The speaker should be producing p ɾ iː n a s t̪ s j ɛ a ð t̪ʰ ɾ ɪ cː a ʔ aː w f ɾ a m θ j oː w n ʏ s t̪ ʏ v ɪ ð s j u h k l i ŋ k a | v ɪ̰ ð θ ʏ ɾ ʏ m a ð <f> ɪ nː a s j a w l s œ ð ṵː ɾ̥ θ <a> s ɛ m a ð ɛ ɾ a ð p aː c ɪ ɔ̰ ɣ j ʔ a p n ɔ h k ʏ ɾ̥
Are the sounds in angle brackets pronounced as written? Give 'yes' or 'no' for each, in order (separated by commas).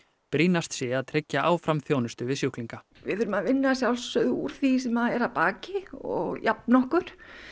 no, no